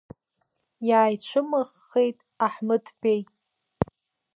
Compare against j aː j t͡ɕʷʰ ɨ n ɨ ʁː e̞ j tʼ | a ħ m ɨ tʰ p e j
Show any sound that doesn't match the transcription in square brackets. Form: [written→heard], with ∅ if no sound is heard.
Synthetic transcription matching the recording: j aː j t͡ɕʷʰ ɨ [n→m] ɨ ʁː e̞ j tʼ | a ħ m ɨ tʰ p e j